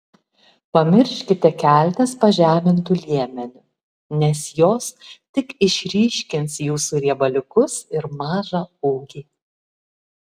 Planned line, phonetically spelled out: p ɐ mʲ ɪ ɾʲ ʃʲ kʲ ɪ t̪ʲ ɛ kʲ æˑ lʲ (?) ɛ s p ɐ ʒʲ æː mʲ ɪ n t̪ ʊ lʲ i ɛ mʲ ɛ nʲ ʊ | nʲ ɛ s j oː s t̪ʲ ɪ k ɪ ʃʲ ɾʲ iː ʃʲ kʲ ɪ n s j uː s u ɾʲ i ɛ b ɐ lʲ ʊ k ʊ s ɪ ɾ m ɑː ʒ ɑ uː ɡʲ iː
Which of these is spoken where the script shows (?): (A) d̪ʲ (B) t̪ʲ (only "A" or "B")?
B